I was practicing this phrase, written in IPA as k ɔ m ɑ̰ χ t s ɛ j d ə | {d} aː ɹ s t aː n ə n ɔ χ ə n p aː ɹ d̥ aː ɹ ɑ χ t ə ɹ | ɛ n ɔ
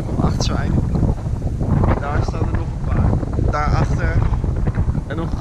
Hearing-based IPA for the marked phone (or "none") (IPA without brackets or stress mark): d